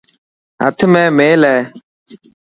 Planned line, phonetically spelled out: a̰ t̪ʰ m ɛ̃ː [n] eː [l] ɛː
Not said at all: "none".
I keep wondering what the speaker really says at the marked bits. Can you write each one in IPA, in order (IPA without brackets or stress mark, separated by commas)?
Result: m, l